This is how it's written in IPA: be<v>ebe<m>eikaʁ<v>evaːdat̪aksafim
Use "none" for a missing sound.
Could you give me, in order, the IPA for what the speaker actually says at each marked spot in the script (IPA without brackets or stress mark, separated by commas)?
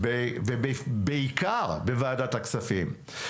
v, b, b